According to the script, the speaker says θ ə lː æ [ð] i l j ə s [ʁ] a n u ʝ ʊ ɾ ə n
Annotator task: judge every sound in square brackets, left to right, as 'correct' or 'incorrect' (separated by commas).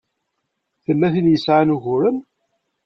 incorrect, incorrect